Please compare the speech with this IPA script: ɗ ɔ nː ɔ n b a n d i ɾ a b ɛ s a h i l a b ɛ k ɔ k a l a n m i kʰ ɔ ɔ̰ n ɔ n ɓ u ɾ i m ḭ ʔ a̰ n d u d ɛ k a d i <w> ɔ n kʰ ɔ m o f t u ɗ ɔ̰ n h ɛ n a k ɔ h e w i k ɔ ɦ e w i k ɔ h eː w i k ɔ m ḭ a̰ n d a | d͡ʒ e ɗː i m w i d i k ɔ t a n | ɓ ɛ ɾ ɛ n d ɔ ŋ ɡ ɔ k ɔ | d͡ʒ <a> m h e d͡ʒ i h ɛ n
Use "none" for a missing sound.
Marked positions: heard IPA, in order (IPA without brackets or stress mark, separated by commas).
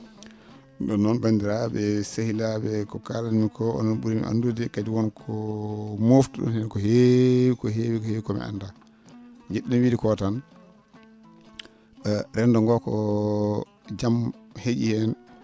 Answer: w, a